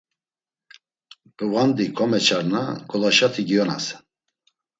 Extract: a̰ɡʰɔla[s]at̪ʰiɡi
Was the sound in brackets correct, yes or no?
no